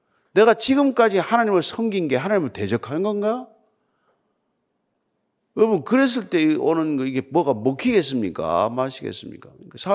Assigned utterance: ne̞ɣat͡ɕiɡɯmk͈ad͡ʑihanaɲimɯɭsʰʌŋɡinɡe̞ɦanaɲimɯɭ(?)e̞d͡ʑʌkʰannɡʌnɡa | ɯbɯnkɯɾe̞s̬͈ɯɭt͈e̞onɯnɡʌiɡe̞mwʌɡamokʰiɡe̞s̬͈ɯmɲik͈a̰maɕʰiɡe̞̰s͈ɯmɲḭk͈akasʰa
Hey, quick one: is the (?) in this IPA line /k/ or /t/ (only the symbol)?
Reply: t